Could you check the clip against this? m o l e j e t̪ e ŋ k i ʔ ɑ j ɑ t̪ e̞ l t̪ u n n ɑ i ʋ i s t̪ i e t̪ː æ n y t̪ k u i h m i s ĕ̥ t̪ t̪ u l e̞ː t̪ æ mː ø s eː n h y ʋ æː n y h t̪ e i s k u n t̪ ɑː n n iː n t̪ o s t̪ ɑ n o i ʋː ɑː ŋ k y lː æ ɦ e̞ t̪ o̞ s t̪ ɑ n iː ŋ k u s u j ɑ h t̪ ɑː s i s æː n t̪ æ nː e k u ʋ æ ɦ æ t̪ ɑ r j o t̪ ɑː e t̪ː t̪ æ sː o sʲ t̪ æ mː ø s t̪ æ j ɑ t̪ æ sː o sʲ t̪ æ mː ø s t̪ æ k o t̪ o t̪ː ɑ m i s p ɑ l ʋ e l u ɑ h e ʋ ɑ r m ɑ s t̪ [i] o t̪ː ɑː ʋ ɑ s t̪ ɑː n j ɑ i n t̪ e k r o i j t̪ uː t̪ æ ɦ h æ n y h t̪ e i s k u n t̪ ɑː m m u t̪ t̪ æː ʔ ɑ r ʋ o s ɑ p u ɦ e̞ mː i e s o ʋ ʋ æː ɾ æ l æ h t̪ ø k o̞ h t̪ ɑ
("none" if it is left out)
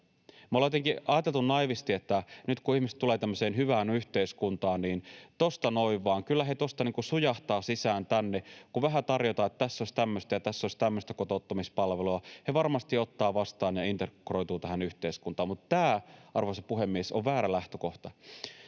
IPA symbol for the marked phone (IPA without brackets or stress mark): i